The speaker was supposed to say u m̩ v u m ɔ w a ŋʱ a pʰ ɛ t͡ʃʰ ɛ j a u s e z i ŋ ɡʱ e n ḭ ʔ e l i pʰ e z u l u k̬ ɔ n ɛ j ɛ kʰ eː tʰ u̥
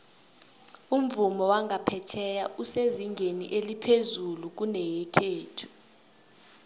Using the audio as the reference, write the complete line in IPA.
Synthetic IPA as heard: u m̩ v u m ɔ w a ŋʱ a pʰ ɛ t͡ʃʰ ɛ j a u s e z i ŋ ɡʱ e n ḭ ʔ e l i pʰ e z u l u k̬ u n ɛ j ɛ kʰ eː tʰ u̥